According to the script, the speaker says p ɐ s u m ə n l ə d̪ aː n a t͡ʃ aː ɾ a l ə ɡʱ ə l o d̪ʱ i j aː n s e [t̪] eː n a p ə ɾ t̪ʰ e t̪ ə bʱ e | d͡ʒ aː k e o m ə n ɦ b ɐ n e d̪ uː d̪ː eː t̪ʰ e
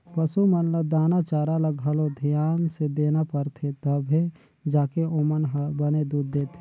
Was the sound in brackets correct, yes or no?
no